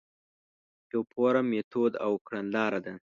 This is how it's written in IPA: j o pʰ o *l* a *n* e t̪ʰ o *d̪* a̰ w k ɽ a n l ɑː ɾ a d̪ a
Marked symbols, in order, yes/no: no, no, yes

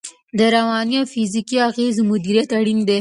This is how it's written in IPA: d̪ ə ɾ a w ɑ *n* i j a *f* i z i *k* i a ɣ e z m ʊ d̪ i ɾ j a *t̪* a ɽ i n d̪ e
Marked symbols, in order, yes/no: yes, yes, yes, yes

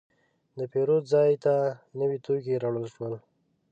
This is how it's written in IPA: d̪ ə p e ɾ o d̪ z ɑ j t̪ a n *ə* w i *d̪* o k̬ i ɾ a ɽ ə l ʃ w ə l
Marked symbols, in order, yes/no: yes, no

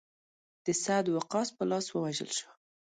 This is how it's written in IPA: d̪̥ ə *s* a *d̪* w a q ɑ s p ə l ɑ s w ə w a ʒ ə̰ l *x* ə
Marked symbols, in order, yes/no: yes, yes, no

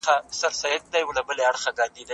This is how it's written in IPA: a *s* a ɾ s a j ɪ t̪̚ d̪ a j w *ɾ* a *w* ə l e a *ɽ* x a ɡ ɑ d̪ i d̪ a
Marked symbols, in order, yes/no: yes, no, no, yes

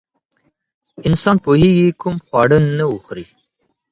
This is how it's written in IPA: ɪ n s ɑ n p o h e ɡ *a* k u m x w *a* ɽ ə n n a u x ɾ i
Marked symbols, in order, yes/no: no, no

